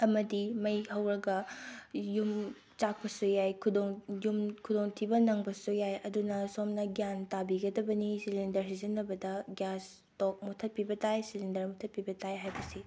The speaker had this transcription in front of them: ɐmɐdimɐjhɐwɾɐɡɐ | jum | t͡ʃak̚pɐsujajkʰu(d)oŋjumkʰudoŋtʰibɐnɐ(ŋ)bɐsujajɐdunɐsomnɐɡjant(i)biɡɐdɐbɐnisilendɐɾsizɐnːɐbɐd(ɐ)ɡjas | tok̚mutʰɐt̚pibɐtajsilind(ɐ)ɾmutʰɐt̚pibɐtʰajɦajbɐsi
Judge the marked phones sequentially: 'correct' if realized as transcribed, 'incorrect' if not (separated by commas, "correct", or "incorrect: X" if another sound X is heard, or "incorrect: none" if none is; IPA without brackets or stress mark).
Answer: correct, correct, incorrect: a, correct, correct